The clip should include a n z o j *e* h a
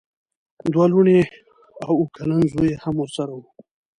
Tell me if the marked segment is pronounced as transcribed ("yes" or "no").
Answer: yes